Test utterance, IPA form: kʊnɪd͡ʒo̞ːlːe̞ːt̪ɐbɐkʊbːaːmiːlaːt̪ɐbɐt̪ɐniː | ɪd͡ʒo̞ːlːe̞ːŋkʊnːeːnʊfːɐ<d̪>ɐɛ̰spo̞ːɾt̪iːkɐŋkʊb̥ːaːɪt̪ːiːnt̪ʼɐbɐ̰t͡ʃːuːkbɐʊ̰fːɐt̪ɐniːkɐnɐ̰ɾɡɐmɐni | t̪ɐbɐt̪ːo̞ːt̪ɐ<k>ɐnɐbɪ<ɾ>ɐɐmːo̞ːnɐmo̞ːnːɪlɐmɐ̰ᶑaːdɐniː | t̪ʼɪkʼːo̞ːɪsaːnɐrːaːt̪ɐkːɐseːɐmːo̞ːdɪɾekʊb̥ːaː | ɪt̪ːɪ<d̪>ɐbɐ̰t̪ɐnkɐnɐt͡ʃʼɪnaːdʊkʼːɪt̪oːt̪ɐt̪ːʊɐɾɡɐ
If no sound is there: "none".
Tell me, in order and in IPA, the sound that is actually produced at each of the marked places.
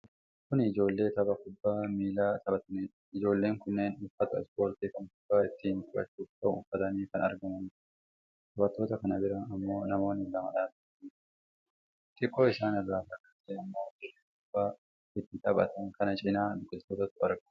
t̪, k, ɾ, t̪

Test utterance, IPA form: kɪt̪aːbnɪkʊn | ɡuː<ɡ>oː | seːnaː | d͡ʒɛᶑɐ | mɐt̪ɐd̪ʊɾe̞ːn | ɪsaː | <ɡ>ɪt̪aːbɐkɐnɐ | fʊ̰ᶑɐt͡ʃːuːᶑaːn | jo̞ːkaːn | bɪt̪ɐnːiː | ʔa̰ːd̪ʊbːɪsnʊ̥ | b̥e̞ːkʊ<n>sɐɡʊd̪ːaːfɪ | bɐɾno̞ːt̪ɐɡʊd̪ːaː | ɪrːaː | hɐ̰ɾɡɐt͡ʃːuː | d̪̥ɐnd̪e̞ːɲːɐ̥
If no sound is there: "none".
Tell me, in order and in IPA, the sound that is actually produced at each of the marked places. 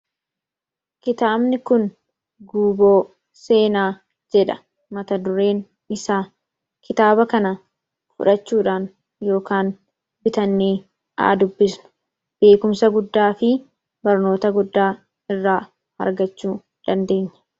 b, k, m

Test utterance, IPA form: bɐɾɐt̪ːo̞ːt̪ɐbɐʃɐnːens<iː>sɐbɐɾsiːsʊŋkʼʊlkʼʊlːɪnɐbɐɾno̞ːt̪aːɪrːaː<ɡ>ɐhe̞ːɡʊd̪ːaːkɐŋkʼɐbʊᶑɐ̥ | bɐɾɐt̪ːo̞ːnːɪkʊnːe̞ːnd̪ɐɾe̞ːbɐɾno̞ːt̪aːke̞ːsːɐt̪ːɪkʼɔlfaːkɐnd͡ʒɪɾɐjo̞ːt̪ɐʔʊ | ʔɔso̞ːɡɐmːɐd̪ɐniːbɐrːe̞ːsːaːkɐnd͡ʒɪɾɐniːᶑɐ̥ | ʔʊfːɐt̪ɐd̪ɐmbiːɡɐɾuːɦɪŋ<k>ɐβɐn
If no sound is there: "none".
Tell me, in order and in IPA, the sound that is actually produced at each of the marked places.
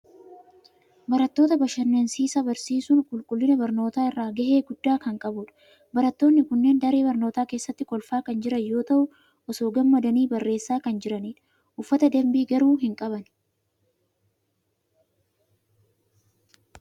iː, ɡ, kʼ

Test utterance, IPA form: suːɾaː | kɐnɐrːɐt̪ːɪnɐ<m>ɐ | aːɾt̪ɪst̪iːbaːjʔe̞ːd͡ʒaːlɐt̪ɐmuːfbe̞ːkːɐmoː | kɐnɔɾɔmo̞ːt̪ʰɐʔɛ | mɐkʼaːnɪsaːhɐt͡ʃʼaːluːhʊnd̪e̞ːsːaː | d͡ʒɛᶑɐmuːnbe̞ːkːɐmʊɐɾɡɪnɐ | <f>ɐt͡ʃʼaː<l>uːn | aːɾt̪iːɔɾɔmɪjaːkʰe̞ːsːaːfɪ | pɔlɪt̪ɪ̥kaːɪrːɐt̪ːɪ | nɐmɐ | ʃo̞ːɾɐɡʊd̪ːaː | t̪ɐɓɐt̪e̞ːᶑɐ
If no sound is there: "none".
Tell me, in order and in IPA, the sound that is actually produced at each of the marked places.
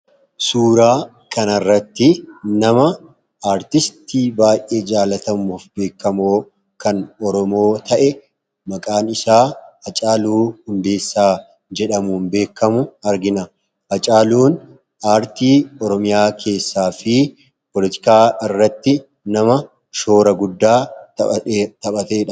m, h, l

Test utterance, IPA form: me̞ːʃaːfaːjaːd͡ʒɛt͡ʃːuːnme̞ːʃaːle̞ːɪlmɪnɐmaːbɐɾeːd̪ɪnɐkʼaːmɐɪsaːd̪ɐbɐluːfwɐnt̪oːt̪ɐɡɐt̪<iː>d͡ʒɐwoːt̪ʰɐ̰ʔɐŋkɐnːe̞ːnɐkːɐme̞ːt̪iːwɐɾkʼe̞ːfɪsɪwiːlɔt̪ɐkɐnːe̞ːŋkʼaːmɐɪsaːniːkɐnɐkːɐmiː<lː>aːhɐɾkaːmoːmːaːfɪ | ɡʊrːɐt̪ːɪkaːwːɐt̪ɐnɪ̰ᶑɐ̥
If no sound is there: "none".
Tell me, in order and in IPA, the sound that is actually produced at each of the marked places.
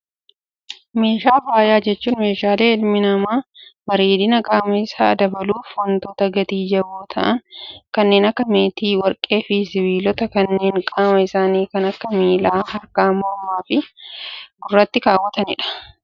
iː, l

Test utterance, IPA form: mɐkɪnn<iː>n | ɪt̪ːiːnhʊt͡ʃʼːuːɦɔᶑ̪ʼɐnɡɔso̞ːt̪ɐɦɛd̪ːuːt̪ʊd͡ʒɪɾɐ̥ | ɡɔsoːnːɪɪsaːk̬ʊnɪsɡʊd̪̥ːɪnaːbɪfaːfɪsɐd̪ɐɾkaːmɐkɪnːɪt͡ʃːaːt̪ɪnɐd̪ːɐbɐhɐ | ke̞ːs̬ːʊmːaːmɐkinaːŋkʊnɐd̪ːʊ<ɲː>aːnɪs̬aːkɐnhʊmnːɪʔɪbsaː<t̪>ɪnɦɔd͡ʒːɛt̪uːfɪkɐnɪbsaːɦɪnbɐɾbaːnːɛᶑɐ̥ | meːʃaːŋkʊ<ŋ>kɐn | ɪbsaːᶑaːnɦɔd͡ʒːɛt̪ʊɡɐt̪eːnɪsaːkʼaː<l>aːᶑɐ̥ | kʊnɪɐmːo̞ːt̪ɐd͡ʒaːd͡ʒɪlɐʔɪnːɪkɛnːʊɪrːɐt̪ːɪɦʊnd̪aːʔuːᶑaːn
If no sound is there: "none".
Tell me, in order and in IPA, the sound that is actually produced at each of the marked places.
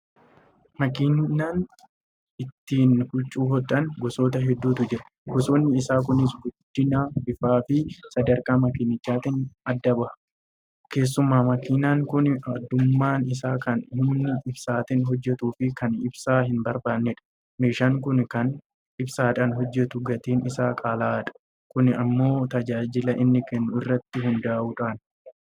aː, mː, t̪, n, l

